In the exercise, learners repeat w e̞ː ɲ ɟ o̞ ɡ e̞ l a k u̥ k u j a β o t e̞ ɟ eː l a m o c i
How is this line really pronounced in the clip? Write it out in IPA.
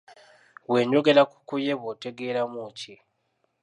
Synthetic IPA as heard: w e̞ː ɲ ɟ o̞ ɡ e̞ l a k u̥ k u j e β o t e̞ ɡ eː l a m u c i